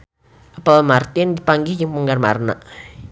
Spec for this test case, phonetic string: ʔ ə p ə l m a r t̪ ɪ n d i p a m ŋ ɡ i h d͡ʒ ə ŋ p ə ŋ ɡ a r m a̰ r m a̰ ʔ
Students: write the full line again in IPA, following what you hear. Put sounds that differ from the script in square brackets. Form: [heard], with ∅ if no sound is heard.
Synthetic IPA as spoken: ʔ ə p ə l m a r t̪ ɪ n d i p a [∅] ŋ ɡ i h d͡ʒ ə ŋ p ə ŋ ɡ a r m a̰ r [n] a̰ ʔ

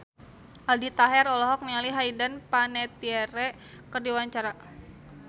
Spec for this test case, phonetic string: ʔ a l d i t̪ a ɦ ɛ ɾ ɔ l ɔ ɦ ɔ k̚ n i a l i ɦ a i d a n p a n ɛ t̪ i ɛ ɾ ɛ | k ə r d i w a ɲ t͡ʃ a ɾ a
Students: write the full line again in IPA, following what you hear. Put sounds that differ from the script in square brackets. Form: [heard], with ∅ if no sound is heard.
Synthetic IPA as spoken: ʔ a l d i t̪ a ɦ ɛ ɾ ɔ l ɔ ɦ ɔ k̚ n i a l i ɦ a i d a n p a n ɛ t̪ i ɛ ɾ ɛ | k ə r d i w a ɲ t͡ʃ a ɾ a

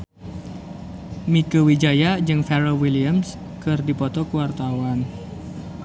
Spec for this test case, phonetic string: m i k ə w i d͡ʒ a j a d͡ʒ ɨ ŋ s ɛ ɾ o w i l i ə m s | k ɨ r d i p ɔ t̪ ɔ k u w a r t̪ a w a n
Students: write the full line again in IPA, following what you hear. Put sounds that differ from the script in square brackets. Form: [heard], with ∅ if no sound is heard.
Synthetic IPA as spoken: m i k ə w i d͡ʒ a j a d͡ʒ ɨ ŋ [f] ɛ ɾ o w i l i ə m s | k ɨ r d i p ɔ t̪ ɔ k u w a r t̪ a w a n

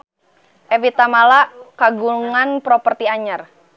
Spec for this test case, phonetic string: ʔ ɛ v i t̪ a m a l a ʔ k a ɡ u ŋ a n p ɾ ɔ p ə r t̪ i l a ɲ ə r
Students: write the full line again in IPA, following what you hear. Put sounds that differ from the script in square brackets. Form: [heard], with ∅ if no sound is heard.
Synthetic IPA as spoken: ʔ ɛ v i t̪ a m a l a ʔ k a ɡ u ŋ a n p ɾ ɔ p ə r t̪ i [∅] a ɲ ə r

